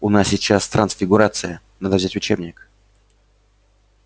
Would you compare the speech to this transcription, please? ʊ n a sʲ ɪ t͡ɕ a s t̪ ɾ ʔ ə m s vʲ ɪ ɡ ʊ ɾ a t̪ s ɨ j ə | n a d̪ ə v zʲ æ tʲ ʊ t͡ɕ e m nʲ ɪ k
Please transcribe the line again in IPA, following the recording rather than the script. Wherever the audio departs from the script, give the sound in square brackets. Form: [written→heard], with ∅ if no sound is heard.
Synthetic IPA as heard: ʊ n a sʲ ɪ t͡ɕ a s t̪ ɾ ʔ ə [m→n] s [vʲ→fʲ] ɪ ɡ ʊ ɾ a t̪ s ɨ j ə | n a d̪ ə v zʲ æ tʲ ʊ t͡ɕ e [m→b] nʲ ɪ k